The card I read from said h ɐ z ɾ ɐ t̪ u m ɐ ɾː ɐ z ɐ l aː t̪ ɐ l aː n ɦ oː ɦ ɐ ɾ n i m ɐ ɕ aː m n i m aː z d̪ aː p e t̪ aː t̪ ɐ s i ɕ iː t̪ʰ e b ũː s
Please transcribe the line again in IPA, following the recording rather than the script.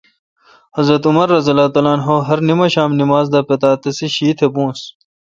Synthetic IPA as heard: h ɐ z ɾ ɐ t̪ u m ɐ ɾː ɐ z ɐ l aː t̪ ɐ l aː n ɦ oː ɦ ɐ ɾ n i m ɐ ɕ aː m n i m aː z d̪ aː p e t̪ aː t̪ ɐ s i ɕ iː t̪ʰ e b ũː s